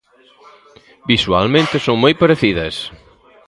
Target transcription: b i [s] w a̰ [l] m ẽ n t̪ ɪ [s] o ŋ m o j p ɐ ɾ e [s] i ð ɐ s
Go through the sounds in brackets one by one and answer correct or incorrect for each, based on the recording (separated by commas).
correct, correct, correct, incorrect